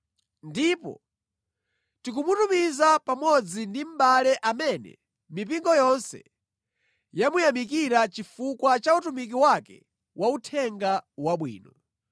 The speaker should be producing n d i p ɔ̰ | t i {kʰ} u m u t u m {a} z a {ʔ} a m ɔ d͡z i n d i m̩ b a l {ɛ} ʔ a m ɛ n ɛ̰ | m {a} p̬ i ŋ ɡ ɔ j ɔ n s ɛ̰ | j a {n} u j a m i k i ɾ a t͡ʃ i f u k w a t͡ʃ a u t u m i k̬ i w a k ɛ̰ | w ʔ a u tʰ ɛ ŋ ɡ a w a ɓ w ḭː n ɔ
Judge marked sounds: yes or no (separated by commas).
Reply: no, no, no, yes, no, no